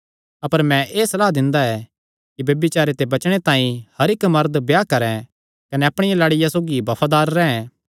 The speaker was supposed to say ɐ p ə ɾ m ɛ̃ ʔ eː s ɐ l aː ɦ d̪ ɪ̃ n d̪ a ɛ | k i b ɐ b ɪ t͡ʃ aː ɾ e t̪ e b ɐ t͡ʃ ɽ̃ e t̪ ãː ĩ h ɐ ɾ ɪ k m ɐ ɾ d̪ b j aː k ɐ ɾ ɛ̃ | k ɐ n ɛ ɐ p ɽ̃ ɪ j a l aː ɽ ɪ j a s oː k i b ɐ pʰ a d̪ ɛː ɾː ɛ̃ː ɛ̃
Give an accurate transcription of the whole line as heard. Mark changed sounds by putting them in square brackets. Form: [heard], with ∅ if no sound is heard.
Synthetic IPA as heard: ɐ p ə ɾ m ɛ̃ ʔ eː s ɐ l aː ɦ d̪ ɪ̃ n d̪ a ɛ | k i b ɐ b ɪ t͡ʃ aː ɾ e t̪ e b ɐ t͡ʃ ɽ̃ e t̪ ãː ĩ h ɐ ɾ ɪ k m ɐ ɾ d̪ b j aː k ɐ ɾ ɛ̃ | k ɐ n ɛ ɐ p ɽ̃ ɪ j a l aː ɽ ɪ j a s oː [ɡ] i b ɐ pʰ a d̪ [aː] ɾː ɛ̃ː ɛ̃